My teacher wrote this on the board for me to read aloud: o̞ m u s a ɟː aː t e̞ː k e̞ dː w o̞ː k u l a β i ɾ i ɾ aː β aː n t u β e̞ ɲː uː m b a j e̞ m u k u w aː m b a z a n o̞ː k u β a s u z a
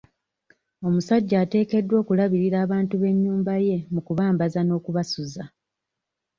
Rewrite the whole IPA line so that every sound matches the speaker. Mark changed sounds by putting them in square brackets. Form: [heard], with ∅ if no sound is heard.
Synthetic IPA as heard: o̞ m u s a ɟː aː t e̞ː k e̞ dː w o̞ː k u l a β i ɾ i ɾ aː β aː n t u β e̞ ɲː uː m b a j e̞ m u k u [β] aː m b a z a n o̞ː k u β a s u z a